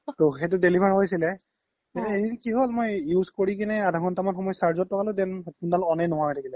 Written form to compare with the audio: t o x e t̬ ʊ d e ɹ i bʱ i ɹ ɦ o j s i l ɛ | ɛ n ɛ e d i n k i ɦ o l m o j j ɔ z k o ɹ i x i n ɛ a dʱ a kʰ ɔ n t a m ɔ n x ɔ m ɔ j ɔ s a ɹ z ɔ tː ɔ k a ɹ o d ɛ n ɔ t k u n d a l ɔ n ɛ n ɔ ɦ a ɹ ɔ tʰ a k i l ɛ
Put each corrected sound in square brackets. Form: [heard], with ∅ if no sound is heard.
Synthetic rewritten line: t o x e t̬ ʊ d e [l] i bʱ [a] ɹ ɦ o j s i l ɛ | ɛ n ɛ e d i n k i ɦ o l m o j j [u] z k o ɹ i [k] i n ɛ a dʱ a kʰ ɔ n t a m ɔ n x ɔ m ɔ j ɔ s a ɹ z ɔ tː ɔ k a [l] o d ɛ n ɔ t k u n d a l ɔ n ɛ n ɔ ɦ a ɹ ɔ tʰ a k i l ɛ